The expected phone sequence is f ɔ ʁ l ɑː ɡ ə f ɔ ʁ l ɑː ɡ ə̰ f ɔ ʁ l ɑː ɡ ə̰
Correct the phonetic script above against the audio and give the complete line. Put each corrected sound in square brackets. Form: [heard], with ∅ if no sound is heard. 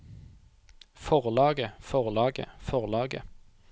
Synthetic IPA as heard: f ɔ ʁ l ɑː ɡ ə f ɔ ʁ l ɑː ɡ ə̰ f ɔ ʁ l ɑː ɡ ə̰